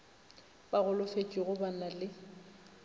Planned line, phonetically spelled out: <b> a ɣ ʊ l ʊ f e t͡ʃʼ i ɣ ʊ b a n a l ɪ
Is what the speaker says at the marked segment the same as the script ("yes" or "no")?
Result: yes